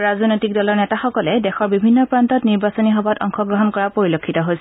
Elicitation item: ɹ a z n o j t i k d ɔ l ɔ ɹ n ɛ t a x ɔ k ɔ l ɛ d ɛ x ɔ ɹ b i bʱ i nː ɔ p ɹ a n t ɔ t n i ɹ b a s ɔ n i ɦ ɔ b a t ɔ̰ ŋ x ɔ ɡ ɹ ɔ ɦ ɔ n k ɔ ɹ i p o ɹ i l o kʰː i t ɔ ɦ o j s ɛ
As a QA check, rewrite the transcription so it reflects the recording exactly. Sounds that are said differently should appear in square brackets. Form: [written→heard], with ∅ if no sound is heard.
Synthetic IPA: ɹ a z n o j t i k d ɔ l ɔ ɹ n ɛ t a x ɔ k ɔ l ɛ d ɛ x ɔ ɹ b i bʱ i nː ɔ p ɹ a n t ɔ t n i ɹ b a s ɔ n i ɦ ɔ b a t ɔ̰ ŋ x ɔ ɡ ɹ ɔ ɦ ɔ n k ɔ ɹ [i→a] p o ɹ i l o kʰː i t ɔ ɦ o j s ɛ